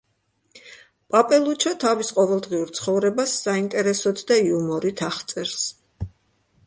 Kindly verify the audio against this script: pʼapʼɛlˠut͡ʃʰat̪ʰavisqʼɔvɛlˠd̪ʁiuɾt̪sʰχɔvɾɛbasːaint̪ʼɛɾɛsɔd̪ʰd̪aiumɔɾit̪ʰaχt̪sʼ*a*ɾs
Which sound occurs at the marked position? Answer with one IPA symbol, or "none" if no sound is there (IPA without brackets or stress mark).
ɛ